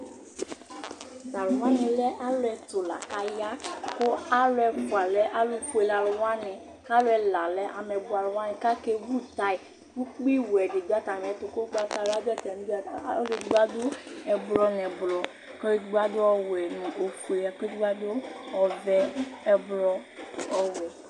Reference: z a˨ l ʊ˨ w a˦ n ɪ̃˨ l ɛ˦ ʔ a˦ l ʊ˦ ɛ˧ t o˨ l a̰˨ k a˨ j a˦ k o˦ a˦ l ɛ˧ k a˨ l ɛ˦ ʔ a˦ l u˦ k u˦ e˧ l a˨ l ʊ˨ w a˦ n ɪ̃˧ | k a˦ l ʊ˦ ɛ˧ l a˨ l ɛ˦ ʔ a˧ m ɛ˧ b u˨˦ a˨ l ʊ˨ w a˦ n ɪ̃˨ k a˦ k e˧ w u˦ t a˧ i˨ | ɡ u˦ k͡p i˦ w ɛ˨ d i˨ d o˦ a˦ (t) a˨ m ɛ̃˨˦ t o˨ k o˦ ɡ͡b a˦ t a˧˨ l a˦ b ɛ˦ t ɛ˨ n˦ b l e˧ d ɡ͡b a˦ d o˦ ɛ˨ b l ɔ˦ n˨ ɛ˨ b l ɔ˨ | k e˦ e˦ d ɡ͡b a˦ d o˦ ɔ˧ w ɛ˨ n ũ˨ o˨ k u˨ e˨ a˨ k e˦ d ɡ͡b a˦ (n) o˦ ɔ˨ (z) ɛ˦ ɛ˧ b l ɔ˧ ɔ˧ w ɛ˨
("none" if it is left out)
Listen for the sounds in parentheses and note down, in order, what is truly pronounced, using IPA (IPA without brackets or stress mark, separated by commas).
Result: t, d, v